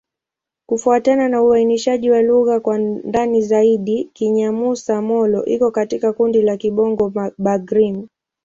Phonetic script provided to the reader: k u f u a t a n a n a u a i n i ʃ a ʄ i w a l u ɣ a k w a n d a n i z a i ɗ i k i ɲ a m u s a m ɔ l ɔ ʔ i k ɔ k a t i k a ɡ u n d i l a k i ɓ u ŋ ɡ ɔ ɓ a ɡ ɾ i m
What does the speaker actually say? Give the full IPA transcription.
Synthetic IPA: k u f u a t a n a n a u a i n i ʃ a ʄ i w a l u ɣ a k w a n d a n i z a i ɗ i k i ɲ a m u s a m ɔ l ɔ ʔ i k ɔ k a t i k a k u n d i l a k i ɓ ɔ ŋ ɡ ɔ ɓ a ɡ ɾ i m